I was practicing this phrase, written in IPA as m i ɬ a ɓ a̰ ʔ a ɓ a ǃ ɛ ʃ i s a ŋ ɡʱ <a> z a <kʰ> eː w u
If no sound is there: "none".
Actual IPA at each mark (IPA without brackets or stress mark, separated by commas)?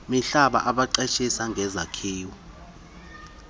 ɛ, kʰ